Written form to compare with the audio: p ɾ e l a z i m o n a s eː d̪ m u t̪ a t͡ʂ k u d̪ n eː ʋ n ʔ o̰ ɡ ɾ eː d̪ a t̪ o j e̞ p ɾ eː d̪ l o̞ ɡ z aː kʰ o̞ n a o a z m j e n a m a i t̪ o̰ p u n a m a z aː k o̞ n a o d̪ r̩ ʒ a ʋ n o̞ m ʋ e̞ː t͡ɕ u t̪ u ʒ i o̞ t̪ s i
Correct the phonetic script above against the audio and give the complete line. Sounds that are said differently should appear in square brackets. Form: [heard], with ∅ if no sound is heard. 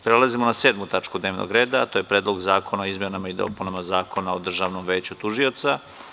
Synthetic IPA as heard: p ɾ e l a z i m o n a s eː d̪ m u t̪ a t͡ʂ k u d̪ n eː ʋ n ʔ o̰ ɡ ɾ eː d̪ a t̪ o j e̞ p ɾ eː d̪ l o̞ ɡ z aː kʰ o̞ n a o [i] z m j e n a m a i [d̪] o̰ p u n a m a z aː k o̞ n a o d̪ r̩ ʒ a ʋ n o̞ m ʋ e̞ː t͡ɕ u t̪ u ʒ i o̞ t̪ s [a]